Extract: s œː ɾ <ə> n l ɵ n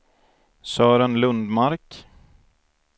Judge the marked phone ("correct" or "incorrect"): correct